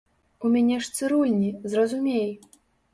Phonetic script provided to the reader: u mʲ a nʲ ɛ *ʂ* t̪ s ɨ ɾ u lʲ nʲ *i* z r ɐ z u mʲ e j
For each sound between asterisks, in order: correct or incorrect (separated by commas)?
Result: correct, correct